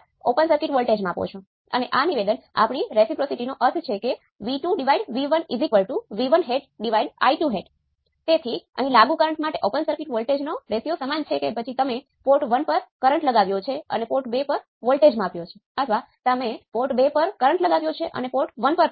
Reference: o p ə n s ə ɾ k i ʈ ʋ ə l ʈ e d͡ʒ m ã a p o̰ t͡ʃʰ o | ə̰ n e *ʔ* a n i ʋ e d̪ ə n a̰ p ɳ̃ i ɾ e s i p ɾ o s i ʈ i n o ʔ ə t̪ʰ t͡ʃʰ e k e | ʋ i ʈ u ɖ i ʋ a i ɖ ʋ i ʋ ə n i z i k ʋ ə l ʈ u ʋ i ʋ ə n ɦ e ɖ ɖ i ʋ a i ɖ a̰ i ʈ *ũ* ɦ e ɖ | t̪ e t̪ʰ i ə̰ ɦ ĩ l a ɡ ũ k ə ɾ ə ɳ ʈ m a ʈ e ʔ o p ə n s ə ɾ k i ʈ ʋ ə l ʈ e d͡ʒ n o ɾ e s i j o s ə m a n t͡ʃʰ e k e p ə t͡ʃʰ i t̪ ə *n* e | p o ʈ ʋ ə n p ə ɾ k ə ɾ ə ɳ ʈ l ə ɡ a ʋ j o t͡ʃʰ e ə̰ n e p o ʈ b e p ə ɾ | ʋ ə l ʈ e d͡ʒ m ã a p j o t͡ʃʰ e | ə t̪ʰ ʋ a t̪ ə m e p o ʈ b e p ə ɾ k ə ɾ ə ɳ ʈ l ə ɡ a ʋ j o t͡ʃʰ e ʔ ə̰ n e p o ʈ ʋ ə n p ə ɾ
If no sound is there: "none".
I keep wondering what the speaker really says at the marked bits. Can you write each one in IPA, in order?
ʔ, u, m

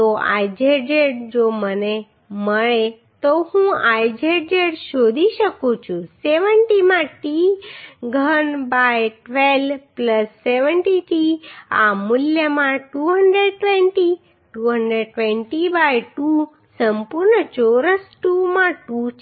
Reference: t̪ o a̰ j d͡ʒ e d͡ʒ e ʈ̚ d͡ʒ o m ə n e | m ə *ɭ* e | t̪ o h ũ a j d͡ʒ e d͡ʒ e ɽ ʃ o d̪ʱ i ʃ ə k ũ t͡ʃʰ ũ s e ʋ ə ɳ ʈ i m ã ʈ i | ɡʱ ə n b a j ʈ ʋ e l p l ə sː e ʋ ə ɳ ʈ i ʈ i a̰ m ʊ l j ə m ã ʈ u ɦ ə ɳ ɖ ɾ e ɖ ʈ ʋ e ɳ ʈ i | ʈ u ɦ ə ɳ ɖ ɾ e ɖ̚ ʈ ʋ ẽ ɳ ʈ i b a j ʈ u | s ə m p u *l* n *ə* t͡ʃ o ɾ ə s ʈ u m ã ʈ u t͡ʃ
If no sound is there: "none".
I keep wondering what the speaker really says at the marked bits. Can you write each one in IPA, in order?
ɭ, ɾ, ə

